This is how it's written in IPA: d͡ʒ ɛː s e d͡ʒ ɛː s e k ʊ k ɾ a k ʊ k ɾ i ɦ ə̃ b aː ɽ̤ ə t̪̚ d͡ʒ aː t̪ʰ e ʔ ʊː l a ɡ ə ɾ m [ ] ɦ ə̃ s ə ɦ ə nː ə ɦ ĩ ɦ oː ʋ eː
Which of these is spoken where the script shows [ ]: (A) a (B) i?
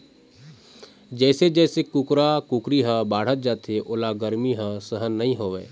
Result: B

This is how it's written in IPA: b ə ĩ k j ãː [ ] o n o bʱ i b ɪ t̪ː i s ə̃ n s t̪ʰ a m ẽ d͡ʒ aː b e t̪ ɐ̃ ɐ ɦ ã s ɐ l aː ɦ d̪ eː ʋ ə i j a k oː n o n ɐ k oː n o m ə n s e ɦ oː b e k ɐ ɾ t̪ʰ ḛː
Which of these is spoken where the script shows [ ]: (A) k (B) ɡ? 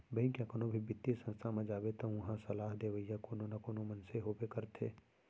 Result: A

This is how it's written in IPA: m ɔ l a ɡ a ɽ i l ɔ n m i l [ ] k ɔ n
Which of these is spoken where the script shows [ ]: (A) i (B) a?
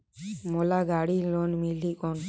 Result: A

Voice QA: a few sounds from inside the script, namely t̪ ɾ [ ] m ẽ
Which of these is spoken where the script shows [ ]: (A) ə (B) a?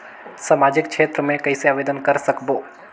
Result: A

